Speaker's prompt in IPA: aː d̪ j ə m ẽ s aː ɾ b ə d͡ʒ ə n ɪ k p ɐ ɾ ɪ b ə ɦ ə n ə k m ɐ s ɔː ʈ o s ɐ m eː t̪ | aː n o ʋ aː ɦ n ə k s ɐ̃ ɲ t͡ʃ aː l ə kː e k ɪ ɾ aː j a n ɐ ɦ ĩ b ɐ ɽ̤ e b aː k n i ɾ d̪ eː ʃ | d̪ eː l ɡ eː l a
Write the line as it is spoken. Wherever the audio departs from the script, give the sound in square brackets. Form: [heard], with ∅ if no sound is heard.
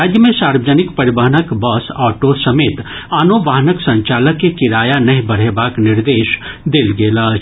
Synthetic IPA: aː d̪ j ə m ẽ s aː ɾ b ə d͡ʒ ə n ɪ k p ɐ ɾ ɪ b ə ɦ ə n ə k [b] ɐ s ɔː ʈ o s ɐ m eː t̪ | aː n o ʋ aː ɦ n ə k s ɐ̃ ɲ t͡ʃ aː l ə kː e k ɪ ɾ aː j a n ɐ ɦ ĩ b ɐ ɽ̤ e b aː k n [ɪ] ɾ d̪ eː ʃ | d̪ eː l ɡ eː l a